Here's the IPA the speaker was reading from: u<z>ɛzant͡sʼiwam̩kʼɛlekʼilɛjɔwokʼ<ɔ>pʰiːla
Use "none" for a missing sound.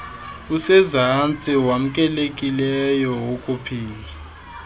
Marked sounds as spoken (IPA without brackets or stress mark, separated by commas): s, u